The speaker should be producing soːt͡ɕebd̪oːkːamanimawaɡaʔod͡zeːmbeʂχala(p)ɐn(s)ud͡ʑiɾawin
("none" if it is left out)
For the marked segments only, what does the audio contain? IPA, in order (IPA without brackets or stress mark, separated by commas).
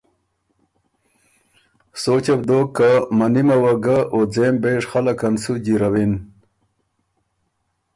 k, s